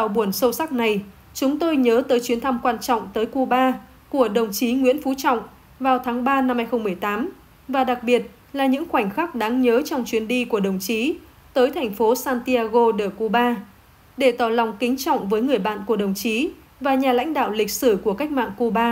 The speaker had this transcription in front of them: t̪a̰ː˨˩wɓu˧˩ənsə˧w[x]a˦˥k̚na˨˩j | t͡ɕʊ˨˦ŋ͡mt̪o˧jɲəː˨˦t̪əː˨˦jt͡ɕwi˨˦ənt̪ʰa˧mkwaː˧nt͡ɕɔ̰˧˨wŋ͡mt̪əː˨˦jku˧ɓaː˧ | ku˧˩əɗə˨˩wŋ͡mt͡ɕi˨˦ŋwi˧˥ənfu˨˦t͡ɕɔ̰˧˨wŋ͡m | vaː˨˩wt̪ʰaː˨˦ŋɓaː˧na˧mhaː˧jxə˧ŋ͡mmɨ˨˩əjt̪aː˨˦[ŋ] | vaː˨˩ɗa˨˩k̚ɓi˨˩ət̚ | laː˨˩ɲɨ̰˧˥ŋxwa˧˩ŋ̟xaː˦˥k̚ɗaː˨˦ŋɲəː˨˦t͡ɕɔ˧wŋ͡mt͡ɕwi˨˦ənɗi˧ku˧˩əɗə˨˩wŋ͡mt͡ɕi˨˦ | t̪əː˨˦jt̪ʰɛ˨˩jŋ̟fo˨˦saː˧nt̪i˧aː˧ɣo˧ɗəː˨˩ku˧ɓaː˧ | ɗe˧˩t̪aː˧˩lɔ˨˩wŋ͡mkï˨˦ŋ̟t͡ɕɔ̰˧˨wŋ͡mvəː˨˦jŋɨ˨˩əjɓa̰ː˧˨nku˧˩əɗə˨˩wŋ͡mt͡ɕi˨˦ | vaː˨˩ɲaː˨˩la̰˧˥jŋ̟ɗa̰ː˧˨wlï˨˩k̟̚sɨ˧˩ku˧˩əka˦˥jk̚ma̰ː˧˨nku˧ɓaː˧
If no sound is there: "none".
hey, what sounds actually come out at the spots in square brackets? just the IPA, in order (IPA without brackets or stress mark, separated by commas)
s, m